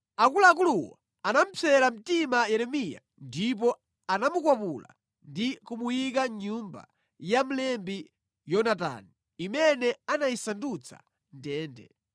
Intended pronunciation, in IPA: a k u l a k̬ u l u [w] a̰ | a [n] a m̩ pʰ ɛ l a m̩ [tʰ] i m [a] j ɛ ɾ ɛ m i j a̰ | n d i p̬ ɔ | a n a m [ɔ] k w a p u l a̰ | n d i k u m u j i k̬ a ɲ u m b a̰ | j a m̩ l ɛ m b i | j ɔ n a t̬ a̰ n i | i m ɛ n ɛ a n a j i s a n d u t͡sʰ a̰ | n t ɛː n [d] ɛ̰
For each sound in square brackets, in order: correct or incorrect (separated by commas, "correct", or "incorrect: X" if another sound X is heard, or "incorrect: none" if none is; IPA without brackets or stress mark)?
correct, correct, incorrect: t, correct, incorrect: u, correct